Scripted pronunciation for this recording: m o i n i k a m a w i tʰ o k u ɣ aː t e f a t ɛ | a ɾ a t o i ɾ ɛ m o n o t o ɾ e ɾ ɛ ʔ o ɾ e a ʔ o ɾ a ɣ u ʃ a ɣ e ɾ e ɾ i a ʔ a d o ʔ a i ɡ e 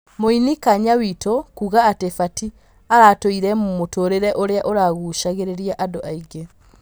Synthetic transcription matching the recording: m o i n i k a ɲ a w i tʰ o k u ɣ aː t e f a t i | a ɾ a t o i ɾ ɛ m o m o t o ɾ e ɾ ɛ ʔ o ɾ e a ʔ o ɾ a ɣ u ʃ a ɣ e ɾ e ɾ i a ʔ a d o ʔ a i ɡ e